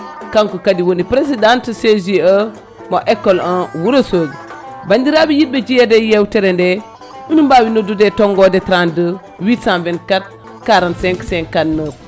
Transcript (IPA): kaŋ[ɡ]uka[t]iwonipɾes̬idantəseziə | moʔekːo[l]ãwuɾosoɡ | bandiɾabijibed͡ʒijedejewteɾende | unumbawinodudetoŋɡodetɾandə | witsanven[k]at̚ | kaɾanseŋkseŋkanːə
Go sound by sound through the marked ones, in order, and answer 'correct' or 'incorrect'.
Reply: incorrect, incorrect, correct, correct

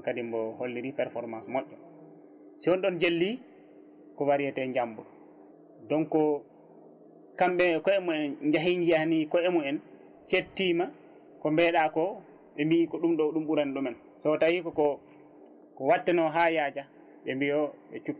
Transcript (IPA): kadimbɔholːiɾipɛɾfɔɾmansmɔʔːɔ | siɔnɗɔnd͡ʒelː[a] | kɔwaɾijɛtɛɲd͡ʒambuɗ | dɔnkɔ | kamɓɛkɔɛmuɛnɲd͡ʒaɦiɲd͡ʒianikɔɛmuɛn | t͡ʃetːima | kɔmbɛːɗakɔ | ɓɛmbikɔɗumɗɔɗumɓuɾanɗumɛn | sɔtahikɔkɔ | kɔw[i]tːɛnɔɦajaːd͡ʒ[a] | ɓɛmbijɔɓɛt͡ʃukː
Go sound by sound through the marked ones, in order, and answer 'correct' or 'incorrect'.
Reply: incorrect, incorrect, correct

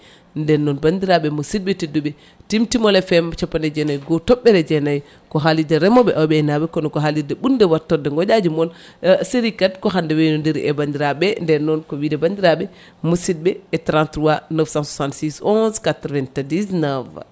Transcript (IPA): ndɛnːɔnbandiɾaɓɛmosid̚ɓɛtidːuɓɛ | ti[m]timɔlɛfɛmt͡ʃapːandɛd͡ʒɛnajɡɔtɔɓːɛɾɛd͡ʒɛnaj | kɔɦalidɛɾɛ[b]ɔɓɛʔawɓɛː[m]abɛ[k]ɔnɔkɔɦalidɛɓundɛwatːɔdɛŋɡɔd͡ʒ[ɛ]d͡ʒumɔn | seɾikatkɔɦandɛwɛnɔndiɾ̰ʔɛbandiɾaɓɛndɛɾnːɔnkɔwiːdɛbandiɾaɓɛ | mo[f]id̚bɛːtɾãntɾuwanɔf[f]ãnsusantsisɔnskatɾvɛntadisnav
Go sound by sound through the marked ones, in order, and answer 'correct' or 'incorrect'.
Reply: correct, incorrect, incorrect, correct, incorrect, incorrect, incorrect

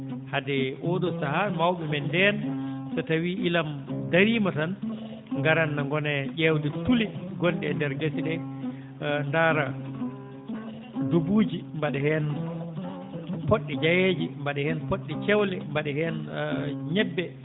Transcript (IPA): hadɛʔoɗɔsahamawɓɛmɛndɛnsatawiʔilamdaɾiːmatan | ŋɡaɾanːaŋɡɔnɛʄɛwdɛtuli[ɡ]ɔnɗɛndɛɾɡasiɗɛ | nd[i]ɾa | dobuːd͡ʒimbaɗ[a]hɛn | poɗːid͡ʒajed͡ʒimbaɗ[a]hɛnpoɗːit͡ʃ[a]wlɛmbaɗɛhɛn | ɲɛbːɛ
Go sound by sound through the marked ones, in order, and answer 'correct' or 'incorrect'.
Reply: correct, incorrect, incorrect, incorrect, incorrect

